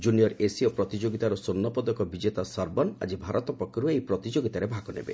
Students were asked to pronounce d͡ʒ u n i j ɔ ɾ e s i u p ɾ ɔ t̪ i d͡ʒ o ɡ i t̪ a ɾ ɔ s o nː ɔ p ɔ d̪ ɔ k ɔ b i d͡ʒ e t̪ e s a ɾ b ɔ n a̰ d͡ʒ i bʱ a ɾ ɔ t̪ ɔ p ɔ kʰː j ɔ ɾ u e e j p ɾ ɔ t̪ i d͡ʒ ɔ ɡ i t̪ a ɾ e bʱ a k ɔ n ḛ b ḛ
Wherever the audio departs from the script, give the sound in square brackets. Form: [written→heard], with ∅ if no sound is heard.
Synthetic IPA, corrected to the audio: d͡ʒ u n i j ɔ ɾ e s i [u→ɔ] p ɾ ɔ t̪ i d͡ʒ o ɡ i t̪ a ɾ ɔ s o nː ɔ p ɔ d̪ ɔ k ɔ b i d͡ʒ e t̪ [e→a] s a ɾ b ɔ n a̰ d͡ʒ i bʱ a ɾ ɔ t̪ ɔ p ɔ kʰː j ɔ ɾ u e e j p ɾ ɔ t̪ i d͡ʒ [ɔ→o] ɡ i t̪ a ɾ e bʱ a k ɔ n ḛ b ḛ